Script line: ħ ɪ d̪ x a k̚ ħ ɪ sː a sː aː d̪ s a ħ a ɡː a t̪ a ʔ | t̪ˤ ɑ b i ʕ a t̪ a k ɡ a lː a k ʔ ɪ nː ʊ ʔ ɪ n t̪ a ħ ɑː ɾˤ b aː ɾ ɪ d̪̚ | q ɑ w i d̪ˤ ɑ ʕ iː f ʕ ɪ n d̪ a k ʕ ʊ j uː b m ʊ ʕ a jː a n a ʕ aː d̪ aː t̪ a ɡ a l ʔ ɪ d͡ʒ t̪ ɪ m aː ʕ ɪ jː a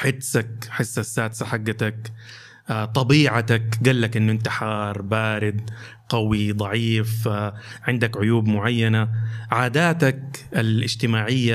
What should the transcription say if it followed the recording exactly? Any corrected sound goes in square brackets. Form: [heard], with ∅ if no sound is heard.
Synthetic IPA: ħ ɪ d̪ [s] a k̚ ħ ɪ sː a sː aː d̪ s a ħ a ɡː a t̪ a [k] | t̪ˤ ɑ b [iː] ʕ a t̪ a k ɡ a lː a k ʔ ɪ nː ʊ ʔ ɪ n t̪ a ħ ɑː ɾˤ b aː ɾ ɪ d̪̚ | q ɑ w i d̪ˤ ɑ ʕ iː f ʕ ɪ n d̪ a k ʕ ʊ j uː b m ʊ ʕ a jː a n a ʕ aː d̪ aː t̪ a [k] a l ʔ ɪ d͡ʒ t̪ ɪ m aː ʕ ɪ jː a